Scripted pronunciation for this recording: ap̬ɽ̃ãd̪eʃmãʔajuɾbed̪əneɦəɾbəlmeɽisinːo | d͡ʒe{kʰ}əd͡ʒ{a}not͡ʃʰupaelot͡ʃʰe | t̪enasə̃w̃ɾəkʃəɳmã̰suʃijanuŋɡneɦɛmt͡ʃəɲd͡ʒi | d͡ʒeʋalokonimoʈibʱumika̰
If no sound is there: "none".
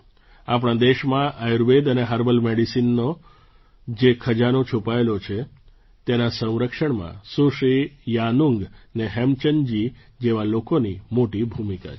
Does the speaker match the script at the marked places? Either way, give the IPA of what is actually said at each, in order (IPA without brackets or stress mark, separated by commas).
kʰ, a